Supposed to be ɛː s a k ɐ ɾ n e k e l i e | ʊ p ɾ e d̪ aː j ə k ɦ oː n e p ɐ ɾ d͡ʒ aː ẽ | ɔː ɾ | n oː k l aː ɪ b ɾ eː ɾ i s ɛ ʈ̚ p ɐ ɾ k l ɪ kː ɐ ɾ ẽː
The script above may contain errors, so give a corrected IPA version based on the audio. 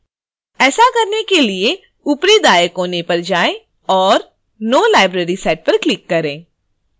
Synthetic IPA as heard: ɛː s a k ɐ ɾ n e k e l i e | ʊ p ɾ e d̪ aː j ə k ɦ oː n e p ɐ ɾ d͡ʒ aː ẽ | ɔː ɾ | n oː l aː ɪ b ɾ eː ɾ i s ɛː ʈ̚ p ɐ ɾ k l ɪ kː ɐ ɾ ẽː